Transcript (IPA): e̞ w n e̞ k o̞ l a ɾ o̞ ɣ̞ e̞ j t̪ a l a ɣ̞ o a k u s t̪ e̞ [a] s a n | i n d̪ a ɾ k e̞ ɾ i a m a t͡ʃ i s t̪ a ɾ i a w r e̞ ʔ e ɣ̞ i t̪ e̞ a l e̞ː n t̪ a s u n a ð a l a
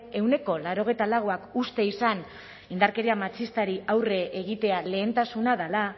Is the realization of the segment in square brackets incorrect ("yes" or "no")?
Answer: yes